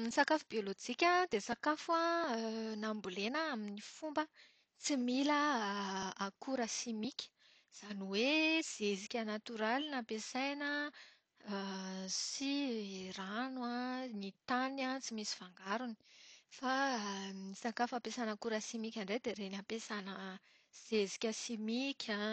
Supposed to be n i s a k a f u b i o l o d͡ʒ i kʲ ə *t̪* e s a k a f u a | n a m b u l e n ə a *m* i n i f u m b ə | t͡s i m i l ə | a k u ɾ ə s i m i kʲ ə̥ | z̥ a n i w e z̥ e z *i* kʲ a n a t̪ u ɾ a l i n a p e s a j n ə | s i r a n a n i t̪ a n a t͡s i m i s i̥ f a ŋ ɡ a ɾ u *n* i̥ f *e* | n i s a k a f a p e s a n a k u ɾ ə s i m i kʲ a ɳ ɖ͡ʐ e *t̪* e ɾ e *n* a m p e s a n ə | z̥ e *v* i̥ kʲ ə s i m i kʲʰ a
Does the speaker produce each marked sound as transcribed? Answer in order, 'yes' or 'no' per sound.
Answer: no, yes, yes, yes, no, no, yes, no

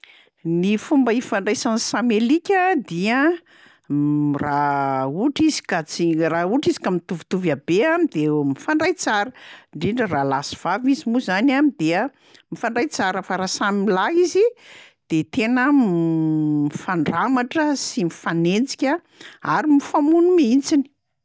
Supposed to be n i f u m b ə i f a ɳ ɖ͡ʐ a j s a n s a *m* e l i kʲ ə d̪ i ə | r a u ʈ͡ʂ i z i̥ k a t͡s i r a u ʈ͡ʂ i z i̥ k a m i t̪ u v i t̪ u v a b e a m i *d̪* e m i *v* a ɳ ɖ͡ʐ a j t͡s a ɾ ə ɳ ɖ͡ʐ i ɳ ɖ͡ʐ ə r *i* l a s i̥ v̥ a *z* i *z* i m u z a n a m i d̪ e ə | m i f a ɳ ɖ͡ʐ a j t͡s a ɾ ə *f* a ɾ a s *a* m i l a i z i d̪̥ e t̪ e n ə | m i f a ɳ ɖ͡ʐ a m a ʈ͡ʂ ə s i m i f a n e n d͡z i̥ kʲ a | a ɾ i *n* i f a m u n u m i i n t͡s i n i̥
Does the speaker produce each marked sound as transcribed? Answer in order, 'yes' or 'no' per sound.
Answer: yes, yes, no, no, no, yes, yes, yes, no

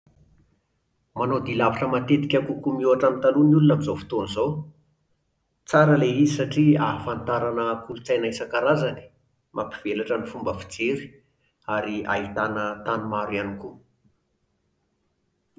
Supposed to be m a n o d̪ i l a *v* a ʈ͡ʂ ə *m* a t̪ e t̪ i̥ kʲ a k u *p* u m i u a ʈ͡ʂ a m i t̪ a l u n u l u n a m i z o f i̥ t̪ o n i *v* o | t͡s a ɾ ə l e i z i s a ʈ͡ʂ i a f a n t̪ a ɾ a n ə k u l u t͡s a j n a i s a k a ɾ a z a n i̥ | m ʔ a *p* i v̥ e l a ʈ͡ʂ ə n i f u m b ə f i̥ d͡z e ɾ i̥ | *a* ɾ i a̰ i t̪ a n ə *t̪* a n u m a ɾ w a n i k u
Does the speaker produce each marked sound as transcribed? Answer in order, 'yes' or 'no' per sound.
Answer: yes, yes, no, no, yes, yes, yes

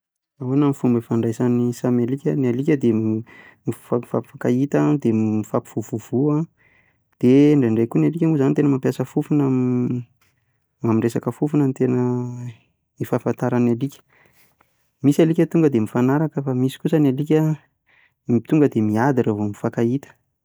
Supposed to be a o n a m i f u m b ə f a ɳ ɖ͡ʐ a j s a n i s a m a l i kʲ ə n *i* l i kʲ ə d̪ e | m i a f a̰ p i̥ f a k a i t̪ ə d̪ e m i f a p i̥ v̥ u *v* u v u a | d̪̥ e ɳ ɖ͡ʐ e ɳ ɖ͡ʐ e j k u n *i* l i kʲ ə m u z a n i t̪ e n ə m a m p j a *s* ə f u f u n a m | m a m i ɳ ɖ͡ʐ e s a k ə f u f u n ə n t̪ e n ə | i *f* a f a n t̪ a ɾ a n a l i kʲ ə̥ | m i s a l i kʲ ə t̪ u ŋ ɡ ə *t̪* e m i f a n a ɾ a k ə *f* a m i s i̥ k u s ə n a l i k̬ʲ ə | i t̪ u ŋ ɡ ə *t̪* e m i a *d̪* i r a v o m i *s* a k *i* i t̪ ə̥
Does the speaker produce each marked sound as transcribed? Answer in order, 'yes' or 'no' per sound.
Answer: no, yes, no, yes, yes, no, yes, no, yes, no, no

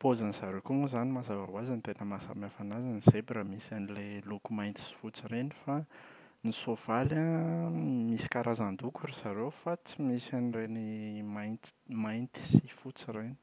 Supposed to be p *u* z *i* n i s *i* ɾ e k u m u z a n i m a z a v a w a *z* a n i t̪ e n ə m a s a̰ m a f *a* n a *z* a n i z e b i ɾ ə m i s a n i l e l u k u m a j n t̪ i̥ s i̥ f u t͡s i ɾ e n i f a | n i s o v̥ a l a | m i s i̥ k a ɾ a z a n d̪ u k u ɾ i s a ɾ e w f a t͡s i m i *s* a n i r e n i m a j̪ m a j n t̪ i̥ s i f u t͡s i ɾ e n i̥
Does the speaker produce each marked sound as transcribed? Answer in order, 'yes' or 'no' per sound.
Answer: no, no, no, yes, yes, yes, yes

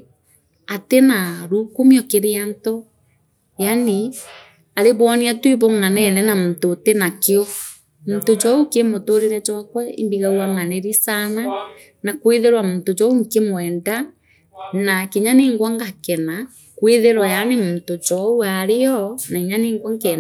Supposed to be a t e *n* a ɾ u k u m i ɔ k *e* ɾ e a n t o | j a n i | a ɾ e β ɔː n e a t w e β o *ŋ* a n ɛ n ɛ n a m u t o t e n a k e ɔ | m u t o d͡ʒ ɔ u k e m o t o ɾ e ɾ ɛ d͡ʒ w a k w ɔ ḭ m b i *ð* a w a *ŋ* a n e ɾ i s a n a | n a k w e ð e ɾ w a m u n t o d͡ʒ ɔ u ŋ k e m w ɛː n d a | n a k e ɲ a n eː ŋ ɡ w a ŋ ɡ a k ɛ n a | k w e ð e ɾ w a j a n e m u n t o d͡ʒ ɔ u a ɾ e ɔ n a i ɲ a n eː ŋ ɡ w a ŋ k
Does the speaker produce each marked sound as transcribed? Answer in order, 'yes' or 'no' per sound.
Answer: yes, yes, yes, no, yes

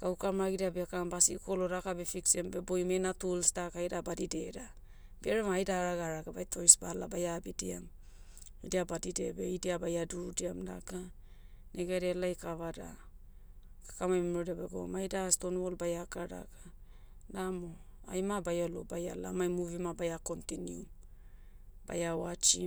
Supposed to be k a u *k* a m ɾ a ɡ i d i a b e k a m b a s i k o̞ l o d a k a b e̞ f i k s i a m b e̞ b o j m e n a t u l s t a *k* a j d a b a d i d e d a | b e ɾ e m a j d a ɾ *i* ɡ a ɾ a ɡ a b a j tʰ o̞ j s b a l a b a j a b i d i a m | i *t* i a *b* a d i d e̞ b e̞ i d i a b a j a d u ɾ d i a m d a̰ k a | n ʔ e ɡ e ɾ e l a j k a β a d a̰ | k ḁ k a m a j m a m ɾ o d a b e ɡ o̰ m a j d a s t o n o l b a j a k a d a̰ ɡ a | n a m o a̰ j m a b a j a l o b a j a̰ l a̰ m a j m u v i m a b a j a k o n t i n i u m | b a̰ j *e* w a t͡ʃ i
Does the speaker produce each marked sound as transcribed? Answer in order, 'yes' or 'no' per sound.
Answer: yes, yes, no, no, yes, no

